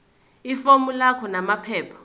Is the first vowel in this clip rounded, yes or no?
no